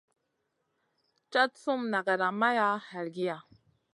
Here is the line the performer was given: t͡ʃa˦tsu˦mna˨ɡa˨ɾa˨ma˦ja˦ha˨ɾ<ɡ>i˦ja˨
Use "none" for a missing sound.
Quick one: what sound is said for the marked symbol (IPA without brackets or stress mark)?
ɡ